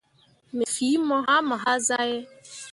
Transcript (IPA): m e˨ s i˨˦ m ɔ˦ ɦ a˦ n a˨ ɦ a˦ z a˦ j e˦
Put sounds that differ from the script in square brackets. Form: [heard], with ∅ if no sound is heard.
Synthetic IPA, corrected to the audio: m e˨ [f] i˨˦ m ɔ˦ ɦ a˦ [m] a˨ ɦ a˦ z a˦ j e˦